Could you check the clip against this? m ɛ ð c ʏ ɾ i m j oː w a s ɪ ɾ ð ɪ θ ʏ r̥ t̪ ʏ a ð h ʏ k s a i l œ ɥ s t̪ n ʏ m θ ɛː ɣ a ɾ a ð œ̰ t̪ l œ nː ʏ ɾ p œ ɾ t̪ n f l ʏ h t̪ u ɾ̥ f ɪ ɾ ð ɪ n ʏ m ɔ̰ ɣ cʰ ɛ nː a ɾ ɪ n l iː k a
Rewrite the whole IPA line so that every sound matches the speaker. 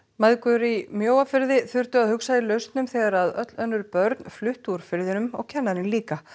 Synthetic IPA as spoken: m a ð k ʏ ɾ i m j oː w a f ɪ ɾ ð ɪ θ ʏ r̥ t̪ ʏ a ð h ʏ k s a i l œ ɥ s t̪ n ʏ m θ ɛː ɣ a ɾ a ð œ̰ t̪ l œ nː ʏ ɾ p œ ɾ t̪ n f l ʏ h t̪ u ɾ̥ f ɪ ɾ ð ɪ n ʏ m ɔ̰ ɣ cʰ ɛ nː a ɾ ɪ n l iː k a